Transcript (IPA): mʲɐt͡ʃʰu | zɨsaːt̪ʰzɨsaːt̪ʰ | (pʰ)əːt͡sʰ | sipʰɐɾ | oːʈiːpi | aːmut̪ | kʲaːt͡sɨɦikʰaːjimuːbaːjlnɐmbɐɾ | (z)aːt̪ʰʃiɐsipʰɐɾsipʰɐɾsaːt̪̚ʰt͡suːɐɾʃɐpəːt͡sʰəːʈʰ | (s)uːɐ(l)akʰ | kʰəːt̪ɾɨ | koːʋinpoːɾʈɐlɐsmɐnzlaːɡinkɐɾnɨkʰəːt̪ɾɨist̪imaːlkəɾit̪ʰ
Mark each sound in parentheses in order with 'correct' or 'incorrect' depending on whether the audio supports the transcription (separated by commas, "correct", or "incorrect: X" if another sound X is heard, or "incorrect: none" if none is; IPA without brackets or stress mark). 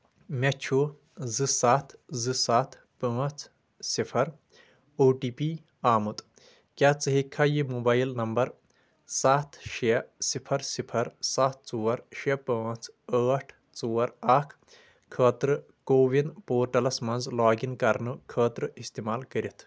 incorrect: p, incorrect: s, incorrect: t͡s, incorrect: ɾ